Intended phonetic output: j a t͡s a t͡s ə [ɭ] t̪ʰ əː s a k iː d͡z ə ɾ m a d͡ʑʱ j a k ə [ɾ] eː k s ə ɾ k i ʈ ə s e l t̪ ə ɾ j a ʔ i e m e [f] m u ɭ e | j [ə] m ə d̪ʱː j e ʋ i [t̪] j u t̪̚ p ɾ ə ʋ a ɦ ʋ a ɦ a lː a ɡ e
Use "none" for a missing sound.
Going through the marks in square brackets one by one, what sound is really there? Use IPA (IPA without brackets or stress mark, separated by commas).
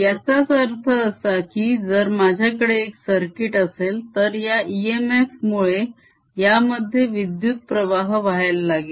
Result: ɾ, ɽ, f, a, d̪